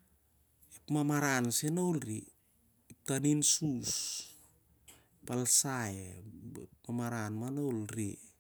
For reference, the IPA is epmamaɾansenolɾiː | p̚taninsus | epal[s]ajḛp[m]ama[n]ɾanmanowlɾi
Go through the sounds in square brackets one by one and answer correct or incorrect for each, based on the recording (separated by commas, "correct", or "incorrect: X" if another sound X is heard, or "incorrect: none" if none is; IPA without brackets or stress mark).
correct, correct, incorrect: none